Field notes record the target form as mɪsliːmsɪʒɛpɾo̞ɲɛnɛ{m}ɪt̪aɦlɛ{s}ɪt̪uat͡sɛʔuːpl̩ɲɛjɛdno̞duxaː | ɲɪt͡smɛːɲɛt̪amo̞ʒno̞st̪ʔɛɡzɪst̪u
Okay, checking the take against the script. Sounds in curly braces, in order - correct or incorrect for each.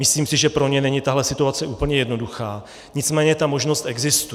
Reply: incorrect: ɲ, correct

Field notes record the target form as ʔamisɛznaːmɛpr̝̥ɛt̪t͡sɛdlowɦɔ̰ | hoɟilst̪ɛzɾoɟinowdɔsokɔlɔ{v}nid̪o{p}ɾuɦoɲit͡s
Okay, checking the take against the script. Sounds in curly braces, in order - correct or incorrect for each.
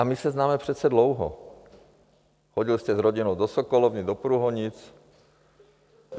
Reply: correct, correct

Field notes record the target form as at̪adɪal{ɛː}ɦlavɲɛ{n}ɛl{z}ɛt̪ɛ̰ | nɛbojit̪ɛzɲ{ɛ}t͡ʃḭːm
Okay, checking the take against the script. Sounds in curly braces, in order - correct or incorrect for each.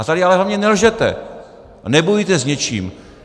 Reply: incorrect: ɛ, correct, incorrect: ʒ, correct

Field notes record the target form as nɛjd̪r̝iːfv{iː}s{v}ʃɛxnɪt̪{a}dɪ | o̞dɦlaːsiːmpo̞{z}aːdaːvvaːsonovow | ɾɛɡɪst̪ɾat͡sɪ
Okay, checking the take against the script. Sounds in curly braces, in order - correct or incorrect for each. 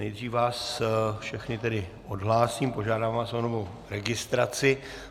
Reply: incorrect: aː, incorrect: f, incorrect: ɛ, incorrect: ʒ

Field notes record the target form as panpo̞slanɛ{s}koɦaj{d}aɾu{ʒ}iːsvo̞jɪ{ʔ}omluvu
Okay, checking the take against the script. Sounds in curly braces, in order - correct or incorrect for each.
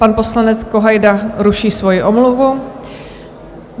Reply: incorrect: t͡s, correct, incorrect: ʃ, correct

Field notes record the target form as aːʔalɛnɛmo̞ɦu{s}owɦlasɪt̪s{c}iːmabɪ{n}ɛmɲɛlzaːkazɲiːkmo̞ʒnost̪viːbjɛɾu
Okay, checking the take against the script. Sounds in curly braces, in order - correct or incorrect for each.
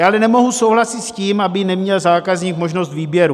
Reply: correct, correct, correct

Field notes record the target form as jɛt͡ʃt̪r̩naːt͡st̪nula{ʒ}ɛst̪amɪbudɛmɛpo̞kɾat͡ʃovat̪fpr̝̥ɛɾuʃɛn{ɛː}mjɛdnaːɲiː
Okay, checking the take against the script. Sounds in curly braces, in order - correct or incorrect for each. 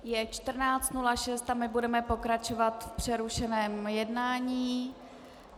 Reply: incorrect: ʃ, correct

